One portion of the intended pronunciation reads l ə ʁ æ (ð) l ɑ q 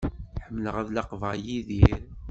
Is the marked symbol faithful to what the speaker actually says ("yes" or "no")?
yes